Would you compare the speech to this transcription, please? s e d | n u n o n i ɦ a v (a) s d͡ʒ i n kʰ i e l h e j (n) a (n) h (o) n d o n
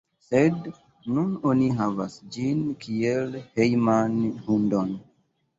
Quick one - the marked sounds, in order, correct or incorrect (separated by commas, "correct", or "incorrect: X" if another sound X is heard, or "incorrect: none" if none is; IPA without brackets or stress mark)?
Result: correct, incorrect: m, correct, incorrect: u